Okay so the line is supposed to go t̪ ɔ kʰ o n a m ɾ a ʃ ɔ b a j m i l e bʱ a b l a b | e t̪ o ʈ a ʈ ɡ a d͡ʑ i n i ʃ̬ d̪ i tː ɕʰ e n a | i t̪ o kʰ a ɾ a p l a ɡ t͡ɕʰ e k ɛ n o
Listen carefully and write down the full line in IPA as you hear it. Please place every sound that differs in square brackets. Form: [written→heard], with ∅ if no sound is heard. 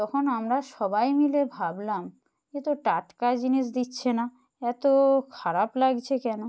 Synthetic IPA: t̪ ɔ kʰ o n a m ɾ a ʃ ɔ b a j m i l e bʱ a b l a [b→m] | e t̪ o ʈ a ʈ [ɡ→k] a d͡ʑ i n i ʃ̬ d̪ i tː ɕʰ e n a | [i→ɛ] t̪ o kʰ a ɾ a p l a ɡ t͡ɕʰ e k ɛ n o